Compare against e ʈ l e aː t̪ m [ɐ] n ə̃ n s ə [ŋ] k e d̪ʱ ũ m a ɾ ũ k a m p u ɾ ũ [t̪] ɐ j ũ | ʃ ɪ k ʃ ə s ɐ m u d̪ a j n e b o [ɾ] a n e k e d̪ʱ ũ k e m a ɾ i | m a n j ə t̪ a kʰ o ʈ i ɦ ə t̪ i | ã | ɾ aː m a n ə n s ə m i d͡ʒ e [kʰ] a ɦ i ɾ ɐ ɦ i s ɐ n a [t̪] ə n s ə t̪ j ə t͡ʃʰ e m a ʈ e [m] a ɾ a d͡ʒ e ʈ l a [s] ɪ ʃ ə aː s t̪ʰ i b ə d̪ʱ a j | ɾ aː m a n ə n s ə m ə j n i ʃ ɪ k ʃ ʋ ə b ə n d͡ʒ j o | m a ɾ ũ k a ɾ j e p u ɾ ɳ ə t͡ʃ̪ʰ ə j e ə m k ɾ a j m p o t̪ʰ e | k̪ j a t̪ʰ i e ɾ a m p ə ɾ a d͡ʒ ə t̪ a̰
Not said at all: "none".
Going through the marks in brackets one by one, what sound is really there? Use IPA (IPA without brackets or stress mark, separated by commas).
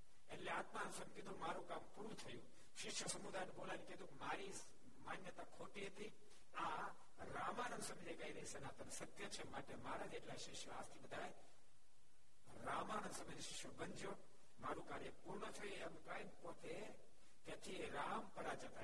a, m, t̪ʰ, l, k, t̪, m, ʃ